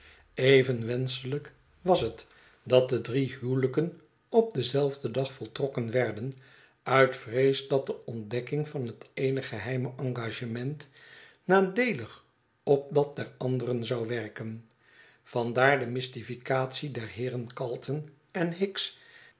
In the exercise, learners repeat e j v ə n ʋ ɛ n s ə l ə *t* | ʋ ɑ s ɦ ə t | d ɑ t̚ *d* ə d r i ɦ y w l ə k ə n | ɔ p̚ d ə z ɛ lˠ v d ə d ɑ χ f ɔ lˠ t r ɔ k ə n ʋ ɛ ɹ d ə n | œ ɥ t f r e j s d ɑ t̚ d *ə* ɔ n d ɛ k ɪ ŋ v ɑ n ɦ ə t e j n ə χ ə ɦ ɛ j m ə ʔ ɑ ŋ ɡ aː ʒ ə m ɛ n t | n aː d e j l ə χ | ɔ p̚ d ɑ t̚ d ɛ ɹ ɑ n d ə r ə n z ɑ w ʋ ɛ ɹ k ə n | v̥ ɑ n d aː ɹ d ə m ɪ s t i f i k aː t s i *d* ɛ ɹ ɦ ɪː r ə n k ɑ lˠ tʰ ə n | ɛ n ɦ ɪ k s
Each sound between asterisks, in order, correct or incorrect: incorrect, correct, correct, correct

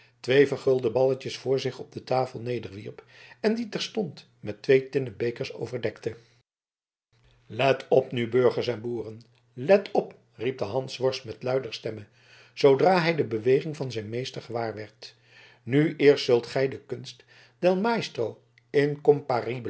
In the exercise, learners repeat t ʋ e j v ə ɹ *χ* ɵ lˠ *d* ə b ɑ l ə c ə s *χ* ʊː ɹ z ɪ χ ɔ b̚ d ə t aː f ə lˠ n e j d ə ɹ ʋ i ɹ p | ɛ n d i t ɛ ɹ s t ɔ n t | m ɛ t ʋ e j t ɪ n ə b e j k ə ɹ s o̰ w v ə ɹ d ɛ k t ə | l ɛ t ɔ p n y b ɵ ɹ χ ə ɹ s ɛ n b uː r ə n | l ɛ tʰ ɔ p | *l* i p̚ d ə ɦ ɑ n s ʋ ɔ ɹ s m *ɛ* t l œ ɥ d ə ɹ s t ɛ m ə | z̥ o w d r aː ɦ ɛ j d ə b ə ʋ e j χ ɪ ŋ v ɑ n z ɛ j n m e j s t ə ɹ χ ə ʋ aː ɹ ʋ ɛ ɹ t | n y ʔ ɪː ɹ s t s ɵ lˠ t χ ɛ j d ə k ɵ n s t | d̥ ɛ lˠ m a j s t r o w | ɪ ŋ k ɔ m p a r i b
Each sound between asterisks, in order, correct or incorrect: correct, correct, incorrect, incorrect, correct

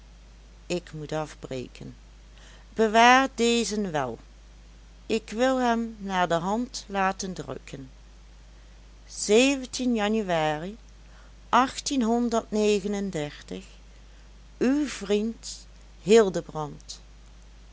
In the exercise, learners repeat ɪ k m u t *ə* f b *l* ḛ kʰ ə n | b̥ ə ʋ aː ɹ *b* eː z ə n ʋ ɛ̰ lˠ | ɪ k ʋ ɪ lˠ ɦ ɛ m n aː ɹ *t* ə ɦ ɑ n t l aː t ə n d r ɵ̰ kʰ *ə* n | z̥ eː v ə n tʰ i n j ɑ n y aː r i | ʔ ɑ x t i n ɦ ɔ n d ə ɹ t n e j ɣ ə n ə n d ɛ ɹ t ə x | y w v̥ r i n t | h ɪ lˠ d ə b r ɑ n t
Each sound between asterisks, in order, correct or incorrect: incorrect, incorrect, incorrect, incorrect, correct

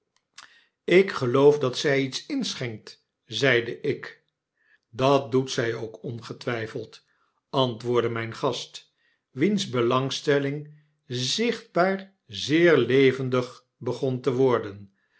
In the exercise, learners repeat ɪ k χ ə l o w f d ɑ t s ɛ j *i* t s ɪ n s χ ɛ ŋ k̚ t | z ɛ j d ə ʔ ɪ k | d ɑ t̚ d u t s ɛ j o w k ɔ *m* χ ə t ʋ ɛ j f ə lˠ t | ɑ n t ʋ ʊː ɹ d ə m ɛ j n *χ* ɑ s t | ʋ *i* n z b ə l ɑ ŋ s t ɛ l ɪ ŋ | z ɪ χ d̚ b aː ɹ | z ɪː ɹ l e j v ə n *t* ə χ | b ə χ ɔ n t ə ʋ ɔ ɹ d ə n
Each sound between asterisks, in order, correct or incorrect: correct, incorrect, correct, correct, incorrect

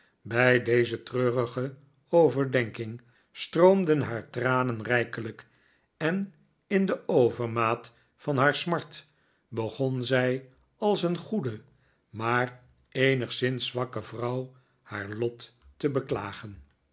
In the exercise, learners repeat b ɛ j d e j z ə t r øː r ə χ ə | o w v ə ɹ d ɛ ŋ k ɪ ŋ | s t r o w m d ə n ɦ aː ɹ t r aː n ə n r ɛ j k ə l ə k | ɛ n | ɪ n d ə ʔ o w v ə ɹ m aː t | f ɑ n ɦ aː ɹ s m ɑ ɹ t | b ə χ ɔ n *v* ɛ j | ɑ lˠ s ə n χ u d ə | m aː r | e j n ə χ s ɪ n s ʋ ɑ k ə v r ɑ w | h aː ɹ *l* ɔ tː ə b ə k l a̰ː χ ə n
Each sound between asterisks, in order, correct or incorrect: incorrect, correct

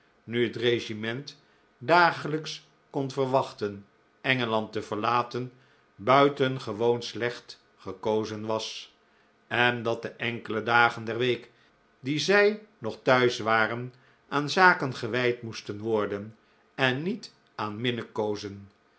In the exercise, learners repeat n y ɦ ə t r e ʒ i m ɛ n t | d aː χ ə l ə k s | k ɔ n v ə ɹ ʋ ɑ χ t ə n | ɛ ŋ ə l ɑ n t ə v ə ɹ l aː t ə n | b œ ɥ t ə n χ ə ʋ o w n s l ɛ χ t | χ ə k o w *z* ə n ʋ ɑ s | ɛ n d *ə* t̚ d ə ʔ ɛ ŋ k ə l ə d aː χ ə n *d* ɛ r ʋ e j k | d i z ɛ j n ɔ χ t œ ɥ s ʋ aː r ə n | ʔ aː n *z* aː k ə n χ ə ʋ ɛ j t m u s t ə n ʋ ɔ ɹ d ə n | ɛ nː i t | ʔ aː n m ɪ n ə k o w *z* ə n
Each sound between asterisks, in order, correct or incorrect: correct, incorrect, correct, correct, correct

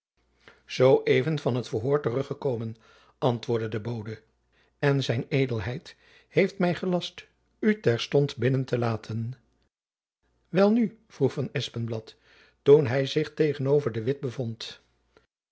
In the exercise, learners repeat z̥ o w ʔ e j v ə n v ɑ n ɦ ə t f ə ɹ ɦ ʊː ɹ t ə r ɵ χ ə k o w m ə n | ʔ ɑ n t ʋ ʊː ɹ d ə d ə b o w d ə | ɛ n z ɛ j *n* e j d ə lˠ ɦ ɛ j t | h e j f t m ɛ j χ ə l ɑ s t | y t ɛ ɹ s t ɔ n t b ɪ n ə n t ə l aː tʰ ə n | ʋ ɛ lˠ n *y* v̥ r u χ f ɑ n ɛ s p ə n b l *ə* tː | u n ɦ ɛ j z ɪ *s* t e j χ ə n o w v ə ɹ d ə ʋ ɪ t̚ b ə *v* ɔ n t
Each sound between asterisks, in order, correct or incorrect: correct, correct, incorrect, incorrect, correct

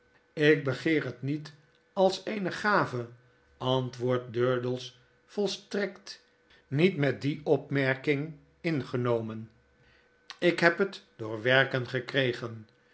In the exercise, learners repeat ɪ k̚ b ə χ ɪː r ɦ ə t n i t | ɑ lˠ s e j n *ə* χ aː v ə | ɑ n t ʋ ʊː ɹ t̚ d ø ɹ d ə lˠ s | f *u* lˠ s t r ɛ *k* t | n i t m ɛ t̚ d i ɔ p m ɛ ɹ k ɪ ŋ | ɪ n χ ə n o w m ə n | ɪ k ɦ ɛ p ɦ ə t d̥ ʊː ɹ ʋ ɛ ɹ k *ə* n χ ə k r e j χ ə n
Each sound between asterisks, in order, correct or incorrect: correct, incorrect, correct, correct

